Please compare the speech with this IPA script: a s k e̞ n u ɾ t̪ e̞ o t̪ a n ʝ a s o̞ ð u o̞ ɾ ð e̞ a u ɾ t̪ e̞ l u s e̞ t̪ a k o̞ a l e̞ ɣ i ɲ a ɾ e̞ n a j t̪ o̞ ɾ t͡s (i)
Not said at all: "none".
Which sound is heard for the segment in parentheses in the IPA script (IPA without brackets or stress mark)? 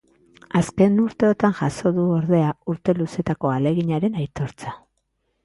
a